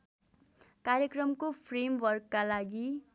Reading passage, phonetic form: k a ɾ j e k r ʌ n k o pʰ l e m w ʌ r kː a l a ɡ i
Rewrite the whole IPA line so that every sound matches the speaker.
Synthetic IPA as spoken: k a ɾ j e k r ʌ m k o pʰ r e m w ʌ r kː a l a ɡ i